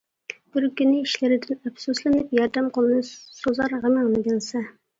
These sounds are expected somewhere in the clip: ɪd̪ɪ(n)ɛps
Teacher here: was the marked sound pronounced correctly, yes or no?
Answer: yes